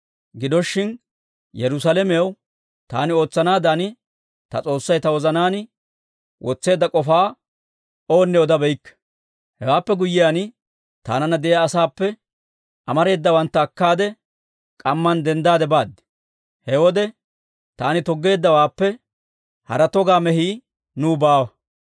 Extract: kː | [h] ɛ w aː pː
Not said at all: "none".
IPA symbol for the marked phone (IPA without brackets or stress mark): h